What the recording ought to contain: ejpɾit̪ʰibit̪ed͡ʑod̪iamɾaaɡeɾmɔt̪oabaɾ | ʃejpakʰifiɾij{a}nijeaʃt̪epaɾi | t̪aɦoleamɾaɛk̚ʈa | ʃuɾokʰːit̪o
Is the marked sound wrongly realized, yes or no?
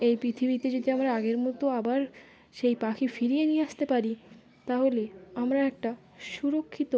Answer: yes